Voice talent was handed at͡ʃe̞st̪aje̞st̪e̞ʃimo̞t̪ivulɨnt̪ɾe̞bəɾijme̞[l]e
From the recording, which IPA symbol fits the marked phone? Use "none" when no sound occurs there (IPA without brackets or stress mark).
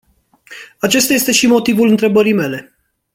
l